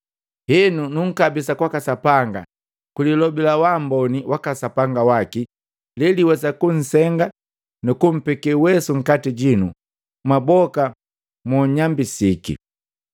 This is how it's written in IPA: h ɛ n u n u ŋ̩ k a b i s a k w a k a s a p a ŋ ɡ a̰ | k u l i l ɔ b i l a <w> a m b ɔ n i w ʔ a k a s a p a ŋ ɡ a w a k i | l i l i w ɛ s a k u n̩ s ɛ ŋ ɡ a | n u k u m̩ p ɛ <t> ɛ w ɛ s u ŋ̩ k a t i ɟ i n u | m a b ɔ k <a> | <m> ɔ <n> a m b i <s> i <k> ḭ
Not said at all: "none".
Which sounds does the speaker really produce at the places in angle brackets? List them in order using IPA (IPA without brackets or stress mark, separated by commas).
w, k, a, m, ɲ, s, k